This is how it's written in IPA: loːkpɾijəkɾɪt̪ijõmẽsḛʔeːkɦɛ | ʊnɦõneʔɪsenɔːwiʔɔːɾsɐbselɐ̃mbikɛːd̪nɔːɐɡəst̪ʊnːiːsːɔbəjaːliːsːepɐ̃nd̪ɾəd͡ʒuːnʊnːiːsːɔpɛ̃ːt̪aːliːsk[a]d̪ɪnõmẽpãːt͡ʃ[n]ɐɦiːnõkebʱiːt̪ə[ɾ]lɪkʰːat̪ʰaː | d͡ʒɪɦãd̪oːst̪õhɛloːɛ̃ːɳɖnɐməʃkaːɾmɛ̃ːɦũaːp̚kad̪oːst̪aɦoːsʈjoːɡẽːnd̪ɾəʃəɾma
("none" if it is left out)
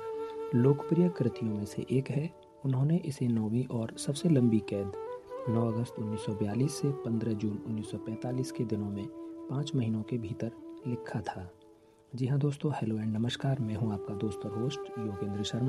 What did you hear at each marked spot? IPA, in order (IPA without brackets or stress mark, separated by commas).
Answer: e, m, ɾ